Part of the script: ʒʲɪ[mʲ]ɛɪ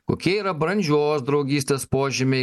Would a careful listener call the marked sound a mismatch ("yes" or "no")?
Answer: no